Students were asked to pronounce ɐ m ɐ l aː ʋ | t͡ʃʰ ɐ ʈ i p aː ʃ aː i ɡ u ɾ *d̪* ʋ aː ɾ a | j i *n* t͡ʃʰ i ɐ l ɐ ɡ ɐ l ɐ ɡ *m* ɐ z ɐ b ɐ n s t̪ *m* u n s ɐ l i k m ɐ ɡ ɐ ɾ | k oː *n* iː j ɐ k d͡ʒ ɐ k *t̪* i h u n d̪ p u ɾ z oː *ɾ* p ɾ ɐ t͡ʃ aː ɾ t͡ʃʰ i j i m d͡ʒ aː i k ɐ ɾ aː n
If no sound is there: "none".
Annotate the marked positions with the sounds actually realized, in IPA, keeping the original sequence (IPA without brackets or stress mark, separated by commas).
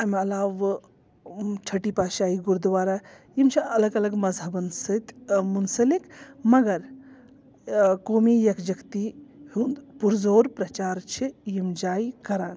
d̪, m, m, m, m, t̪, ɾ